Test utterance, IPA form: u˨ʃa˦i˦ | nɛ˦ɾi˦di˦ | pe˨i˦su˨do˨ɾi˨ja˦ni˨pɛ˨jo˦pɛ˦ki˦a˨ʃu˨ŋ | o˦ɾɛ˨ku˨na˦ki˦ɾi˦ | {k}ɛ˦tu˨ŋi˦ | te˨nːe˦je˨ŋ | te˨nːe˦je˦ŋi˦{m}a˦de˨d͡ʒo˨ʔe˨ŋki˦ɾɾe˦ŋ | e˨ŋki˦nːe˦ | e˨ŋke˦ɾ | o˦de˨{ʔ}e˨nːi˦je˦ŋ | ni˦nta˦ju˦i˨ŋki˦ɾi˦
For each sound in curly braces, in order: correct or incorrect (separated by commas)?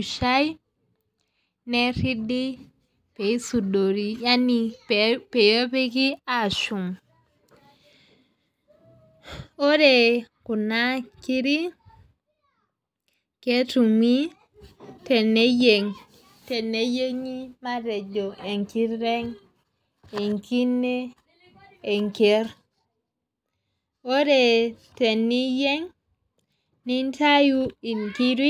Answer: correct, correct, incorrect